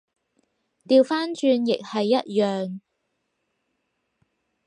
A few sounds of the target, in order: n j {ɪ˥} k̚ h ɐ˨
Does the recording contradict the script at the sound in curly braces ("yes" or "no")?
yes